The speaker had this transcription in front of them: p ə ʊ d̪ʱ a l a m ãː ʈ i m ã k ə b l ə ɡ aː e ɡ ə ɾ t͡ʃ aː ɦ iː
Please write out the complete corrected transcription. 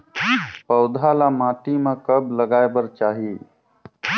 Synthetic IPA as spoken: p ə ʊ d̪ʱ a l a m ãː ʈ i m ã k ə b l ə ɡ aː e b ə ɾ t͡ʃ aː ɦ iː

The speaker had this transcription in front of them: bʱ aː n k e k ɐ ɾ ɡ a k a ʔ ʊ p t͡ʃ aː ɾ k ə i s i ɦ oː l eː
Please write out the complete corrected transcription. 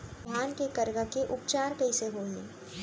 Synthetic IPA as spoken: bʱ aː n k e k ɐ ɾ ɡ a k e ʔ ʊ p t͡ʃ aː ɾ k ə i s e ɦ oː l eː

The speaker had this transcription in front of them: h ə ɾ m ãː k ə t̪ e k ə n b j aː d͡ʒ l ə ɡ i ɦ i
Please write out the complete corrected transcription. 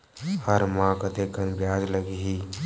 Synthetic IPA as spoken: h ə ɾ m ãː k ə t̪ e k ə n b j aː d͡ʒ l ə ɡ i ɦ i

